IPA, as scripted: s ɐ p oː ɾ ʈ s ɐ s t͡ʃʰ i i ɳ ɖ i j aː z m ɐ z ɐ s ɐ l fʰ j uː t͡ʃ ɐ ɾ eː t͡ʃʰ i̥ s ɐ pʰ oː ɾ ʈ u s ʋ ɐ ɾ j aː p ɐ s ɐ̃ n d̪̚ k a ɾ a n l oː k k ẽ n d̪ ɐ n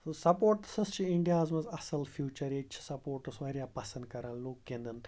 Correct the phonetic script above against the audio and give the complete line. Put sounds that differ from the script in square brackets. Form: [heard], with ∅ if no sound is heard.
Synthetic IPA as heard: s ɐ p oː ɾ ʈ s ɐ s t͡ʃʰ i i ɳ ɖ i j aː z m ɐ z ɐ s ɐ l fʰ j uː t͡ʃ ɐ ɾ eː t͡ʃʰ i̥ s ɐ [p] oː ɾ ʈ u s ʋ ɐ ɾ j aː p ɐ s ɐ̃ n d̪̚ k [ɐ] ɾ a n l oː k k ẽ n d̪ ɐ n